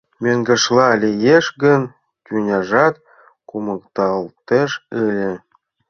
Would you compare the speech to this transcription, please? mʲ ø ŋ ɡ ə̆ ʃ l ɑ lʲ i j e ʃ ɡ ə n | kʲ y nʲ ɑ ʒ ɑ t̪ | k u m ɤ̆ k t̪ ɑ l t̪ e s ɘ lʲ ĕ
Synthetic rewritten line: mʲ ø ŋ ɡ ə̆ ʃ l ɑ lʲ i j e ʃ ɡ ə n | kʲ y nʲ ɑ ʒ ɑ t̪ | k u m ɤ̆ k t̪ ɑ l t̪ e ʃ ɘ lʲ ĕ